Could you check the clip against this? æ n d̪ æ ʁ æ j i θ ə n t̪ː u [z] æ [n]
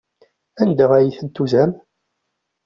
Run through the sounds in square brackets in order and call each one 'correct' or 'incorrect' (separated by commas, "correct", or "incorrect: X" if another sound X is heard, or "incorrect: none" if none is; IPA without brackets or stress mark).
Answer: correct, incorrect: m